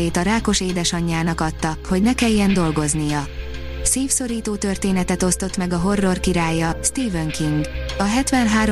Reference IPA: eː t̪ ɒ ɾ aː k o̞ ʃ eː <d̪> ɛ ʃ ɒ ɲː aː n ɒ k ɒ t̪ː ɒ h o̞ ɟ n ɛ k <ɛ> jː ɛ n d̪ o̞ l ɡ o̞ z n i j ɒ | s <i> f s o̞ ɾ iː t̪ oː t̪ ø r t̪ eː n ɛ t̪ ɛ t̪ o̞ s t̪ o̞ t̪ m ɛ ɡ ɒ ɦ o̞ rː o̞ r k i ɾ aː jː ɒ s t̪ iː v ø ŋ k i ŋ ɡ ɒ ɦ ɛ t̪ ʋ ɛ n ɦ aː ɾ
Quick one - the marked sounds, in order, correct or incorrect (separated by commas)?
correct, correct, incorrect